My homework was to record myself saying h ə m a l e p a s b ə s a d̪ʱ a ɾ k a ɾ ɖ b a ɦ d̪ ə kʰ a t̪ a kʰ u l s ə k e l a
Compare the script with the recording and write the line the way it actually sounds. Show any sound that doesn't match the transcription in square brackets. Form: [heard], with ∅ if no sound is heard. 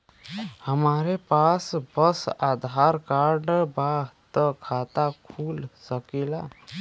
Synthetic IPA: h ə m a [ɾ] e p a s b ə s a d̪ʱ a ɾ k a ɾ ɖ b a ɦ [t̪] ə kʰ a t̪ a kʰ u l s ə k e l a